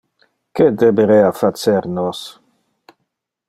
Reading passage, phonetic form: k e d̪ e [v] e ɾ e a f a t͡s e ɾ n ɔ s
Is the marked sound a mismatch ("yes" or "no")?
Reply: yes